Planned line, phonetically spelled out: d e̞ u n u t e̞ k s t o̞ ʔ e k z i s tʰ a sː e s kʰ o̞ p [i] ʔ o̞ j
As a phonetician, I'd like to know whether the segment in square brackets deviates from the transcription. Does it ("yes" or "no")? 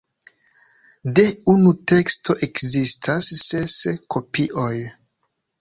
no